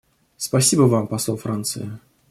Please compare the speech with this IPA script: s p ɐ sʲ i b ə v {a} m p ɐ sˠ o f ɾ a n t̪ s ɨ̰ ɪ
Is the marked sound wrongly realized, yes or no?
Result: no